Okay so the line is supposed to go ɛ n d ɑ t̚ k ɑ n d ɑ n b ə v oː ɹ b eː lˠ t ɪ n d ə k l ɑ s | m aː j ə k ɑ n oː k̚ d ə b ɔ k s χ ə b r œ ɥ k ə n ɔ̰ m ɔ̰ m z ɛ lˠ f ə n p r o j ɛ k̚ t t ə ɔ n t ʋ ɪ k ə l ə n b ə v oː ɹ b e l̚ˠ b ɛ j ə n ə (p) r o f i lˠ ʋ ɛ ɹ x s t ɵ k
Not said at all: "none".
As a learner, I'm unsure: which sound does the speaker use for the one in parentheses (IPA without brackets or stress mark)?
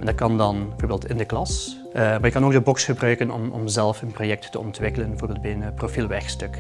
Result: p